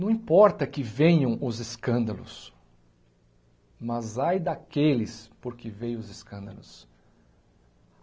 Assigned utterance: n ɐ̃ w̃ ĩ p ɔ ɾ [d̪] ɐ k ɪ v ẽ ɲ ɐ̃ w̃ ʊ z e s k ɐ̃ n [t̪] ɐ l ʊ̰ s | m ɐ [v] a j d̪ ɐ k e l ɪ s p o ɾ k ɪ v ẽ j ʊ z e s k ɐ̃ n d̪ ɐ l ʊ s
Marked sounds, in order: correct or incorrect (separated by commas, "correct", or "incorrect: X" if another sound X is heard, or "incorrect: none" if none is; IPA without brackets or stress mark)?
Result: incorrect: t̪, incorrect: d̪, incorrect: z